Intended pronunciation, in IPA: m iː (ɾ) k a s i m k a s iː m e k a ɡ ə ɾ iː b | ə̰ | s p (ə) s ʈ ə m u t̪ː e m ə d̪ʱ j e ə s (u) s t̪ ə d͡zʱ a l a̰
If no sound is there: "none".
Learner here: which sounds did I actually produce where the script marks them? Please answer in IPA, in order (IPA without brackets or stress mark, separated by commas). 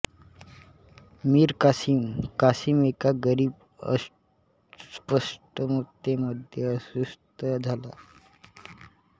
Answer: ɾ, ə, u